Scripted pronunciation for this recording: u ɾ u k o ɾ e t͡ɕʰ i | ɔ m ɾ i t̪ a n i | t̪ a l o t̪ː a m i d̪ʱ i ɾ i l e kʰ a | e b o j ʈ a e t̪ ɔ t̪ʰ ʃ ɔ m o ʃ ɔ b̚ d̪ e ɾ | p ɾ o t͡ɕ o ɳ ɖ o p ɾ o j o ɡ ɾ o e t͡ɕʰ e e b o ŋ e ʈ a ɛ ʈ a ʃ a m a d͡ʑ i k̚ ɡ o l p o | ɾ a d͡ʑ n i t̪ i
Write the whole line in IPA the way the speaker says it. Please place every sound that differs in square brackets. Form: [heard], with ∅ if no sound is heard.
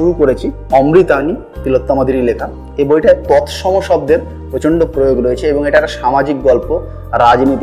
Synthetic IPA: u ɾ u k o ɾ e t͡ɕʰ i | ɔ m ɾ i t̪ a n i | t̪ [i] l o t̪ː a m [a] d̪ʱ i ɾ i l e kʰ a | e b o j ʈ a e t̪ ɔ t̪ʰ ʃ ɔ m o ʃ ɔ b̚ d̪ e ɾ | p ɾ o t͡ɕ o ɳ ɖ o p ɾ o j o ɡ ɾ o e t͡ɕʰ e e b o ŋ e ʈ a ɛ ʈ a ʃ a m a d͡ʑ i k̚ ɡ [ɔ] l p o | ɾ a d͡ʑ n i t̪ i